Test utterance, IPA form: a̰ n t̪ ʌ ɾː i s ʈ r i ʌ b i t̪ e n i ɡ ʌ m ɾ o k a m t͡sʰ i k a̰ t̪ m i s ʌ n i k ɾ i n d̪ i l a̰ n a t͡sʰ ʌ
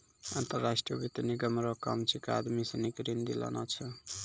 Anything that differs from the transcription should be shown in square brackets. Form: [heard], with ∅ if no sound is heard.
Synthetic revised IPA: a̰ n t̪ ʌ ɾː [a] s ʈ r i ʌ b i t̪ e n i ɡ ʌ m ɾ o k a m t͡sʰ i k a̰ [d̪] m i s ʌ n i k ɾ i n d̪ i l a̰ n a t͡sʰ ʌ

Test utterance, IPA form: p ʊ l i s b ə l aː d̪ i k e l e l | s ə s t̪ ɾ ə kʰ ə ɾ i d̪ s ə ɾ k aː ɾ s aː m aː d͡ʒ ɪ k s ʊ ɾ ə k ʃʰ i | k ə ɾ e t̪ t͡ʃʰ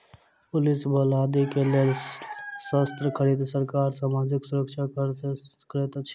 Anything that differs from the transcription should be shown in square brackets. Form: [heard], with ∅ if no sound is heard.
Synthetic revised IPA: p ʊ l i s b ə l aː d̪ i k e l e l | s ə s t̪ ɾ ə kʰ ə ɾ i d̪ s ə ɾ k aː ɾ s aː m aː d͡ʒ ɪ k s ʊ ɾ ə k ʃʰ [a] | k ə ɾ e t̪ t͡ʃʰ

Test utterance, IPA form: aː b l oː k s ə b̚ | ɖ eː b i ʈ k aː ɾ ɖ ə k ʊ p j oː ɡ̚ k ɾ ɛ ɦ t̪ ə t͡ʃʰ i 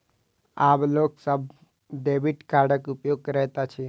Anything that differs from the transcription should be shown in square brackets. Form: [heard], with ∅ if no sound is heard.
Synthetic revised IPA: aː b l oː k s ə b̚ | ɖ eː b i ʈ k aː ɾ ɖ ə k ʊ p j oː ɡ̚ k ɾ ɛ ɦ t̪ [a] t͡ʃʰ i

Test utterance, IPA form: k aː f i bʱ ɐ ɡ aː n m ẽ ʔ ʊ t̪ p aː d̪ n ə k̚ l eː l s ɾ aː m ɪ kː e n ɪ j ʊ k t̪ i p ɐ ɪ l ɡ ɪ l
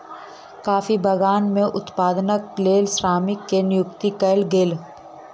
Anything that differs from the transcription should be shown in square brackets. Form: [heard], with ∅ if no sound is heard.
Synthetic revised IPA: k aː f i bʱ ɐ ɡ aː n m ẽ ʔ ʊ t̪ p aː d̪ n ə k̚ l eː l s ɾ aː m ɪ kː e n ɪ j ʊ k t̪ i [k] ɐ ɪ l ɡ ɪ l

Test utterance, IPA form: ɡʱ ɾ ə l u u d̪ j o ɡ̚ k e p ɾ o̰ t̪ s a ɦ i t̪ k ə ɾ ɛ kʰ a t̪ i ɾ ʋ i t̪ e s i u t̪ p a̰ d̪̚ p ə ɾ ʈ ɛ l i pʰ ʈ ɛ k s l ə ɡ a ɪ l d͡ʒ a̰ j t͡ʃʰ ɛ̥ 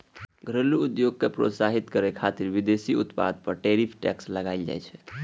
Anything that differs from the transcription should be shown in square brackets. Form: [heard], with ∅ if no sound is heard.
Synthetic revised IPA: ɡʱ ɾ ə l u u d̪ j o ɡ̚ k e p ɾ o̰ t̪ s a ɦ i t̪ k ə ɾ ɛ kʰ a t̪ i ɾ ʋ i [d̪] e s i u t̪ p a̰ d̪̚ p ə ɾ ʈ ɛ [ɾ] i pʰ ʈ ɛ k s l ə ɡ a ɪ l d͡ʒ a̰ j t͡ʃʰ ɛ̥

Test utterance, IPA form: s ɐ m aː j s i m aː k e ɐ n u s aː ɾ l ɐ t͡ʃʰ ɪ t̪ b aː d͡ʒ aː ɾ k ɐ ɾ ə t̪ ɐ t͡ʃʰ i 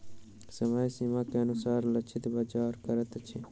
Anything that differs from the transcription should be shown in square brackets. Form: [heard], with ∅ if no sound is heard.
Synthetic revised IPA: s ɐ m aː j s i m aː k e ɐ n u s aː ɾ l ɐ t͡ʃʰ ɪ t̪ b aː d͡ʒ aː ɾ k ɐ ɾ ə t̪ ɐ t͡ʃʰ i

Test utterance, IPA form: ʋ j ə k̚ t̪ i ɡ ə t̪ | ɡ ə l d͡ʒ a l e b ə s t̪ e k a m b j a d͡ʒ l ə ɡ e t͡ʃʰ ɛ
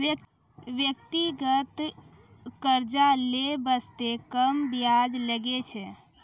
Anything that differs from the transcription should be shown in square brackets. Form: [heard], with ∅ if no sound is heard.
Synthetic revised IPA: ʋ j ə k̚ t̪ i ɡ ə t̪ | [k] ə [ɾ] d͡ʒ a l e b ə s t̪ e k [ə] m b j a d͡ʒ l ə ɡ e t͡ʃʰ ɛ

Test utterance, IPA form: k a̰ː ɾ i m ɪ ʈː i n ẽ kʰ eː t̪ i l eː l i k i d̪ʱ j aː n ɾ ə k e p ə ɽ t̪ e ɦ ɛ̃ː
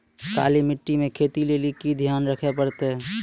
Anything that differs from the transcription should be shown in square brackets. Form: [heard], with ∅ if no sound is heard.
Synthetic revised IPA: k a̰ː [l] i m ɪ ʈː i [m] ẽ kʰ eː t̪ i l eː l i k i d̪ʱ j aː n ɾ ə [kʰ] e p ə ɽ t̪ e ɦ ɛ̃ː

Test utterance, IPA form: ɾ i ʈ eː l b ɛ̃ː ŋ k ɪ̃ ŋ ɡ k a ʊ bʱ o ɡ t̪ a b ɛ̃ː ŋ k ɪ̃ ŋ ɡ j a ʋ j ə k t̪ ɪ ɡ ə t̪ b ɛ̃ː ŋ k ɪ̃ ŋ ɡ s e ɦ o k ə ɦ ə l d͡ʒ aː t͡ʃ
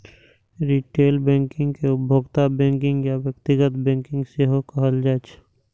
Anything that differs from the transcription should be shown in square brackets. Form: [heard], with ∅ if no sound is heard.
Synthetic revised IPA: ɾ i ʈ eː l b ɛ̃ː ŋ k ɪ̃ ŋ ɡ k [e] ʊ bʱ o ɡ t̪ a b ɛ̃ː ŋ k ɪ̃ ŋ ɡ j a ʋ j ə k t̪ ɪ ɡ ə t̪ b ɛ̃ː ŋ k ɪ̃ ŋ ɡ s e ɦ o k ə ɦ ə l d͡ʒ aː t͡ʃ

